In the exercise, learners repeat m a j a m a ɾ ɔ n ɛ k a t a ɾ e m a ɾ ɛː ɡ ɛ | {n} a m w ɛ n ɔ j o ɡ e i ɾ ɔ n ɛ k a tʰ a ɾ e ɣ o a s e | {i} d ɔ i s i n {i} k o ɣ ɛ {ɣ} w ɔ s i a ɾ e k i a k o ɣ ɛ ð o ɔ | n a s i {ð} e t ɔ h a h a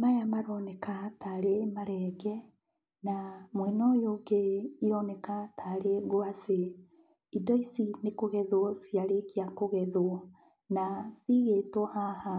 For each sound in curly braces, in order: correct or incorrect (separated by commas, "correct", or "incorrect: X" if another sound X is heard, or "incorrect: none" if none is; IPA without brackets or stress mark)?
correct, correct, incorrect: e, incorrect: ð, incorrect: ɣ